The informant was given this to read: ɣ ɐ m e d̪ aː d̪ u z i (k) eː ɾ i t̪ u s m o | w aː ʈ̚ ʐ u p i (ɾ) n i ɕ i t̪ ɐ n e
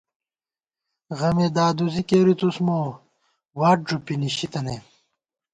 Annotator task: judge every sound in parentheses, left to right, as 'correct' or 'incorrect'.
correct, incorrect: none

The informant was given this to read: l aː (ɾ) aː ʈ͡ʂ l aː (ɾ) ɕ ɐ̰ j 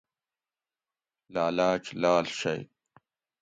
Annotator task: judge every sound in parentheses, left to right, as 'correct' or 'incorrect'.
incorrect: l, incorrect: l

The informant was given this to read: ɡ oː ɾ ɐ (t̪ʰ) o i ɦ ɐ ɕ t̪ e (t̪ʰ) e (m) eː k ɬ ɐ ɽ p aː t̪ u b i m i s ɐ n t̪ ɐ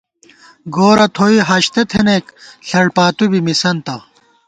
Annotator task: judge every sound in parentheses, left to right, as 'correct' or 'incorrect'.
correct, correct, incorrect: n

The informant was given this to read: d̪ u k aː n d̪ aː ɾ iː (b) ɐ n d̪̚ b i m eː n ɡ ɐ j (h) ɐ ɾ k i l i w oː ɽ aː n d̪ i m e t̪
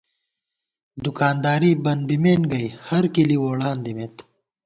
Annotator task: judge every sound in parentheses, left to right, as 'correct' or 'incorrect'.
correct, correct

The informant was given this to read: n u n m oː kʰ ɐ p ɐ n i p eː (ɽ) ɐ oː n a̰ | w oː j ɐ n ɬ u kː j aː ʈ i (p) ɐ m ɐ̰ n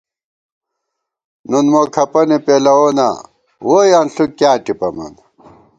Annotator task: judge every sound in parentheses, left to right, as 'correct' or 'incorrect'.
incorrect: l, correct

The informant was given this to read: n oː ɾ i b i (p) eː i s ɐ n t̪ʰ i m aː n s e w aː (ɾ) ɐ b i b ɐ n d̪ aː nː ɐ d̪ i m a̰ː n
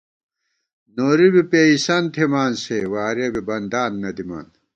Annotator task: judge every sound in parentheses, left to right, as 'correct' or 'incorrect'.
correct, correct

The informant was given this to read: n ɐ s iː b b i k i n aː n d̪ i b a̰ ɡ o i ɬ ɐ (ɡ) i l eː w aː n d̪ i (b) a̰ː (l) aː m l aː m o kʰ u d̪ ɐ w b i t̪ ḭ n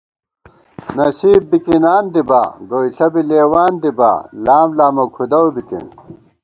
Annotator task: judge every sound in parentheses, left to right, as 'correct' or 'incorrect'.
incorrect: b, correct, correct

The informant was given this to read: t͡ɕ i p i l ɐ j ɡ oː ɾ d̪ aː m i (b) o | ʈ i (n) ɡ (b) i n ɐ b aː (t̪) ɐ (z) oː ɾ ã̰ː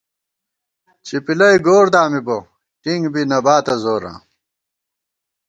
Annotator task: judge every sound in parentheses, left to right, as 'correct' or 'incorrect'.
correct, incorrect: ŋ, correct, correct, correct

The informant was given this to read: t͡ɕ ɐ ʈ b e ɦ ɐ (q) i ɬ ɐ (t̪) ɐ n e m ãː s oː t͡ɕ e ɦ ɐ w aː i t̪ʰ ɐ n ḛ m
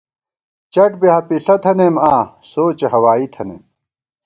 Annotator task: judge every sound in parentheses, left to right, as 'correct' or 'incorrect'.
incorrect: p, incorrect: t̪ʰ

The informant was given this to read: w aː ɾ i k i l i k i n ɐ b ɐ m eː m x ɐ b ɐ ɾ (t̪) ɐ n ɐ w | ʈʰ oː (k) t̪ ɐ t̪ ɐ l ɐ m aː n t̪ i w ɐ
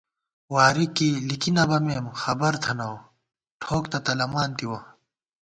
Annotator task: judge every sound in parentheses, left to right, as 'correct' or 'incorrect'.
incorrect: t̪ʰ, correct

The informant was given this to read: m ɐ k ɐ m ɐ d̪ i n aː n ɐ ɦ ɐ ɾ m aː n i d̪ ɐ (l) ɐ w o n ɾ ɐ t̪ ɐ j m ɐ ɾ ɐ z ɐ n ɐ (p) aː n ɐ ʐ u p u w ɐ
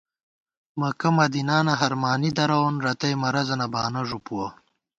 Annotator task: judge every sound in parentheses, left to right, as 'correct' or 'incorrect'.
incorrect: ɾ, incorrect: b

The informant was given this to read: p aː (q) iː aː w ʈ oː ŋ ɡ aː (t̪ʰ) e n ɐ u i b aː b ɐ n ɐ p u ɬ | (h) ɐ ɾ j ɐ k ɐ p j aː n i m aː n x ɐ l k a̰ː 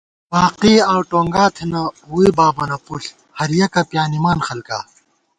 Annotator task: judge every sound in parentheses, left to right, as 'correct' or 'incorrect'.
correct, correct, correct

